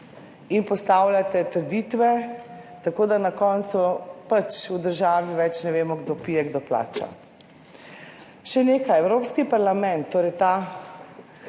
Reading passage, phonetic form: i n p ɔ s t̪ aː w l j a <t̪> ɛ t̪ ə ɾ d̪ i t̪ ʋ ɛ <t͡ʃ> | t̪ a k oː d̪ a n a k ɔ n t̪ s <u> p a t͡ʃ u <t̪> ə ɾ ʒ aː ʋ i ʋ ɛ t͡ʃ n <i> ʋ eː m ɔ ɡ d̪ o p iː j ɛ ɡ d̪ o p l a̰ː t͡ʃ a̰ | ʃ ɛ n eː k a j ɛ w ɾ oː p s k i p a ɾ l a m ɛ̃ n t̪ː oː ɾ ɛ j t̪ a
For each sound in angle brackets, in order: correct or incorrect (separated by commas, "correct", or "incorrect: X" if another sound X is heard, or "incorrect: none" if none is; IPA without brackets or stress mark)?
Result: correct, incorrect: none, correct, incorrect: d̪, incorrect: ɛ